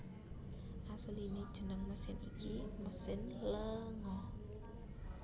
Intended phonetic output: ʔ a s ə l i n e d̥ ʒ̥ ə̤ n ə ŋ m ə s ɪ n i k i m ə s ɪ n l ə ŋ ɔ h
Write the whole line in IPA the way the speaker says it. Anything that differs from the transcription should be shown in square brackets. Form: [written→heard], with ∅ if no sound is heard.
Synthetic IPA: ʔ a s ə l i n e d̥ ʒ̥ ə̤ n ə ŋ m ə s ɪ n i k i m ə s ɪ n l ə ŋ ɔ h